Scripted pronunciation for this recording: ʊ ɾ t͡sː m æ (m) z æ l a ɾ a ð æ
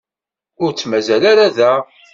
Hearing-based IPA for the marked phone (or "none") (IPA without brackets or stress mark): none